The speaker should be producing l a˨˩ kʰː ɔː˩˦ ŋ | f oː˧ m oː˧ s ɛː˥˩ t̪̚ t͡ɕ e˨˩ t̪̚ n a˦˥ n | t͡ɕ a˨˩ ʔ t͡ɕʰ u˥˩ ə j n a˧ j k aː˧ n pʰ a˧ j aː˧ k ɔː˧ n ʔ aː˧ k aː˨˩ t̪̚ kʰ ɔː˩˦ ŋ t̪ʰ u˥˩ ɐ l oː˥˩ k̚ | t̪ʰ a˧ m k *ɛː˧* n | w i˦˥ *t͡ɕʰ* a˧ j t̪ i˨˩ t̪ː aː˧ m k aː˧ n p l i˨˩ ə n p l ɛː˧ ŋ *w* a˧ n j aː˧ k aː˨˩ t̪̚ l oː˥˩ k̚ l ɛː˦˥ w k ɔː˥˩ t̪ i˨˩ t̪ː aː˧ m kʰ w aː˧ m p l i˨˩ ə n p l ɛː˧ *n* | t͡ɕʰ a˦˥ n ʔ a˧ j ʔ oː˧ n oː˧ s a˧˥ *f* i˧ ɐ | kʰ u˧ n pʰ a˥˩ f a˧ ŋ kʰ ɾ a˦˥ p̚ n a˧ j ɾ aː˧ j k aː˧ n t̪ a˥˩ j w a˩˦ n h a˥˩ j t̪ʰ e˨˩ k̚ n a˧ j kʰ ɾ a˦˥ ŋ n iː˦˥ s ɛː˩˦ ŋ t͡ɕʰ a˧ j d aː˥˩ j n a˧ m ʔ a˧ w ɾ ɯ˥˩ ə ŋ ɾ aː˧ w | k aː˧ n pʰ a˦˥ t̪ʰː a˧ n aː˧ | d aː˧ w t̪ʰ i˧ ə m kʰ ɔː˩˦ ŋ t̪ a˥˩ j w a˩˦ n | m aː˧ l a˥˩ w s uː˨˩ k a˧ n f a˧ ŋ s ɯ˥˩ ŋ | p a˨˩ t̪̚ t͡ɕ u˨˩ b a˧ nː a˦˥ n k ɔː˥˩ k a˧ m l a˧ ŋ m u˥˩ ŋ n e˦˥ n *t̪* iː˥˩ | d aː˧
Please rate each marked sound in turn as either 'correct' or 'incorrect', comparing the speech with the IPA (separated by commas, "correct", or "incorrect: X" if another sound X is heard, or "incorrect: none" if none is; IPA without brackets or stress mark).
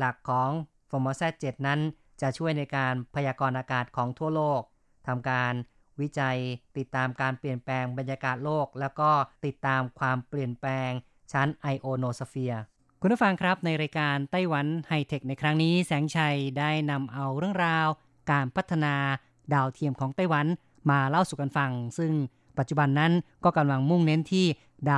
incorrect: aː˧, incorrect: t͡ɕ, incorrect: b, incorrect: ŋ, correct, incorrect: t̪ʰ